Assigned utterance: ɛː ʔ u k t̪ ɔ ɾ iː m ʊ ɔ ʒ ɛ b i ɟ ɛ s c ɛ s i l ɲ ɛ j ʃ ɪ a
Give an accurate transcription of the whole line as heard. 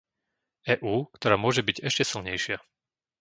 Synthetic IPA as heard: ɛː ʔ uː k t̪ ɔ ɾ aː m ʊ ɔ ʒ ɛ b i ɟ ɛ ʃ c ɛ s i l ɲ ɛ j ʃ ɪ a